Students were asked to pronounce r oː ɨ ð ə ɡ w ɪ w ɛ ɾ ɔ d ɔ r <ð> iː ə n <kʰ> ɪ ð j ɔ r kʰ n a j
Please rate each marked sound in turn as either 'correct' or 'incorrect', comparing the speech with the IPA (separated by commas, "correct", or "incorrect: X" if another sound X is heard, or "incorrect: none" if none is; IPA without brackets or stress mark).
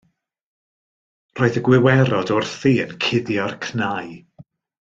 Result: incorrect: θ, correct